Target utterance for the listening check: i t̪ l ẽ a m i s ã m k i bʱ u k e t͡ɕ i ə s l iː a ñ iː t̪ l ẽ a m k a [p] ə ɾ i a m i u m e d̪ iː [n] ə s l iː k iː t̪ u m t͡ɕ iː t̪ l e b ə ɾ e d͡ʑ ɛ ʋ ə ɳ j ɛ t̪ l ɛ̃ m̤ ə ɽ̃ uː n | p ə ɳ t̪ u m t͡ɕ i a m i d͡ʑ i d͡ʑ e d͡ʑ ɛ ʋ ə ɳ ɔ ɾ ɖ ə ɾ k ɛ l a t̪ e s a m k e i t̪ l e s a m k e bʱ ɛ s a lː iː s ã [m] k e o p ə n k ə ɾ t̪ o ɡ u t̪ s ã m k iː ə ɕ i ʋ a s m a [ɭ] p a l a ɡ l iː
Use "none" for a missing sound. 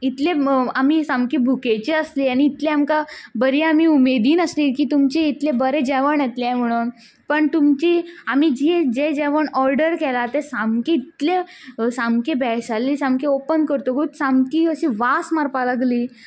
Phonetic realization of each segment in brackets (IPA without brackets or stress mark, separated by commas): b, n, m, ɾ